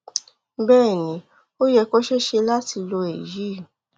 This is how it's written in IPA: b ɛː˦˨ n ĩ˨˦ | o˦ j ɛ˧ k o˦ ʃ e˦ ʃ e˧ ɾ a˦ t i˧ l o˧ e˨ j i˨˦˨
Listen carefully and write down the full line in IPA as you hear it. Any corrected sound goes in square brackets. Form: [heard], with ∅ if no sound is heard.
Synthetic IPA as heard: b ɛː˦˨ n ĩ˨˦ | o˦ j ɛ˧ k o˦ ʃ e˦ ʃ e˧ [l] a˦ t i˧ l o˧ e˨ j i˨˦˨